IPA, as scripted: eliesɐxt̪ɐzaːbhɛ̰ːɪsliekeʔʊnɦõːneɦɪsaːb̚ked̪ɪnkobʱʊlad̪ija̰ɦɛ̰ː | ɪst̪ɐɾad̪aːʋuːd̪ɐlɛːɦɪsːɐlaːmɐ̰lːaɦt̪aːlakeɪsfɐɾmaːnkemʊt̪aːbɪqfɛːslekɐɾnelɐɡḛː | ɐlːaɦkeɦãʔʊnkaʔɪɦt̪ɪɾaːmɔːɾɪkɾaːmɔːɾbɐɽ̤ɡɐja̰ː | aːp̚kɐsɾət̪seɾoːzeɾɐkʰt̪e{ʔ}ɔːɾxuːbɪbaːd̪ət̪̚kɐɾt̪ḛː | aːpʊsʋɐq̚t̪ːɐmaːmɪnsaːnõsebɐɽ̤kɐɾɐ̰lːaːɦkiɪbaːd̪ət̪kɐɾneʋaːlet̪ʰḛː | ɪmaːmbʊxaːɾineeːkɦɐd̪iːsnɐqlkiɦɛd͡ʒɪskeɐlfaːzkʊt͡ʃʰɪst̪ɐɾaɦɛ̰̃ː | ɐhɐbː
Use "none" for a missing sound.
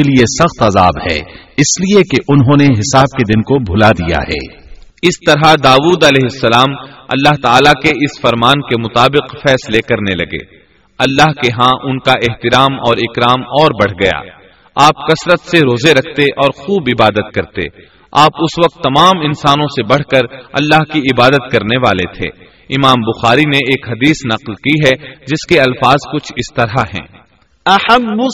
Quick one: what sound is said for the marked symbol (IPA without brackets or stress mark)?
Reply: ʔ